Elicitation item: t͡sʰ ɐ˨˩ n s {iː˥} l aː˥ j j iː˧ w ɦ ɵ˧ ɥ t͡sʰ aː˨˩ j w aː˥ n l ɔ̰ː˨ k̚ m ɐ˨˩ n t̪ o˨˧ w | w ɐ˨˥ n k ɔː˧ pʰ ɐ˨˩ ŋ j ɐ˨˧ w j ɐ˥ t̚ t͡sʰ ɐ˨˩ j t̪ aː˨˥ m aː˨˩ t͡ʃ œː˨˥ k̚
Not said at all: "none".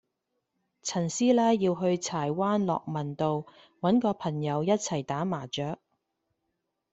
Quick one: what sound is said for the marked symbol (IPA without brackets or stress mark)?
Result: iː˥